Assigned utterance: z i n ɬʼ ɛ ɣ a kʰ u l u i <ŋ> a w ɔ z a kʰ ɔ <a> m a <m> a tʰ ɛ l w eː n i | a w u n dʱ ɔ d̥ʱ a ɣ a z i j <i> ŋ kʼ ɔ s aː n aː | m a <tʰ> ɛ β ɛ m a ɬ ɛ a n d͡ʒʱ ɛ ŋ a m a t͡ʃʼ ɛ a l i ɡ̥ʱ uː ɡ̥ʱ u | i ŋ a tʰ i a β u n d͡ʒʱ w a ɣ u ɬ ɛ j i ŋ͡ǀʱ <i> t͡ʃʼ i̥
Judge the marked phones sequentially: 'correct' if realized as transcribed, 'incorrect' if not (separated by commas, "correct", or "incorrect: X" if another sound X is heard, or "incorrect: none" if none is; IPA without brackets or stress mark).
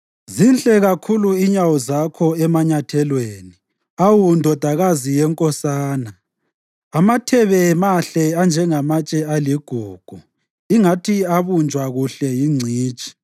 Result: incorrect: ɲ, incorrect: ɛ, incorrect: ɲ, incorrect: ɛ, correct, incorrect: iː